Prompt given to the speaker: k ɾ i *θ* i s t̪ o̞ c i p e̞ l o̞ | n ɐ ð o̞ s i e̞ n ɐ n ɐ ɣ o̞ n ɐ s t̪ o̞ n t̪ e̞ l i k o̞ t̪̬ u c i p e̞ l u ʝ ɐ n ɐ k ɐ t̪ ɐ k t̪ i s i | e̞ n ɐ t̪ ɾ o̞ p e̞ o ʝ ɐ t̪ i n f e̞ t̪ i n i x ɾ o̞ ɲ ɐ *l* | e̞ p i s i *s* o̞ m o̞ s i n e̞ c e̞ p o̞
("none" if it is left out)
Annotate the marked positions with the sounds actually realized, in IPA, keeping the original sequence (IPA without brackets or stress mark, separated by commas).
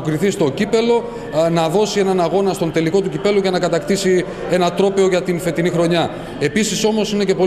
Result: θ, none, s